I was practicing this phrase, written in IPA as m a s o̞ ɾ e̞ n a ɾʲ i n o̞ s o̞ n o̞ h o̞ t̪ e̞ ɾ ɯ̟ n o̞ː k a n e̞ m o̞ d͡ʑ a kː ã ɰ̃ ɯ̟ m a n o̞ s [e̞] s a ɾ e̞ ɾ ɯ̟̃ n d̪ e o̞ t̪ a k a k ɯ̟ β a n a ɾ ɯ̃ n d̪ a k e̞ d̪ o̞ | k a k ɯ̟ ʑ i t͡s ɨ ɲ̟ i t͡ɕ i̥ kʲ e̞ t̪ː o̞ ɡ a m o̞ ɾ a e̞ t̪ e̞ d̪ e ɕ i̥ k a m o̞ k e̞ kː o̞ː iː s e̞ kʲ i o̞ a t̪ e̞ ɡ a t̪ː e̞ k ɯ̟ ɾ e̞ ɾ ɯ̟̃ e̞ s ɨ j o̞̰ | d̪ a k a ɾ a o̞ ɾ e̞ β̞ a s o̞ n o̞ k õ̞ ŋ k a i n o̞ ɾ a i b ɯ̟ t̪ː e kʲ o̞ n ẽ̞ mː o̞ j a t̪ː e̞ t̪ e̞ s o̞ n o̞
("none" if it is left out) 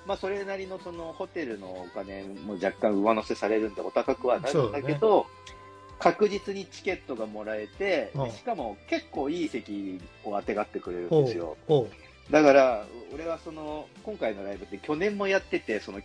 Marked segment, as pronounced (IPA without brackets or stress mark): e̞